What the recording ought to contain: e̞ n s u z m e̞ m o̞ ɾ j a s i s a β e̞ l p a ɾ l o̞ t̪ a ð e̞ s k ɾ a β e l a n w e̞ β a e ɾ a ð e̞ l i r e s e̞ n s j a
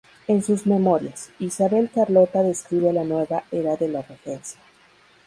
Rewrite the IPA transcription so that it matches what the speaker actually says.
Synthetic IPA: e̞ n s u z m e̞ m o̞ ɾ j a s i s a β e̞ l k a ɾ l o̞ t̪ a ð e̞ s k ɾ i β e l a n w e̞ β a e ɾ a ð e̞ l a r e f e̞ n s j a